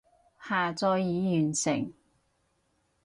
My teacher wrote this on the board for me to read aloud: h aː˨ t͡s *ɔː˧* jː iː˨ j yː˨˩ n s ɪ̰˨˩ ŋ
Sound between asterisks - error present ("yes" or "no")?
no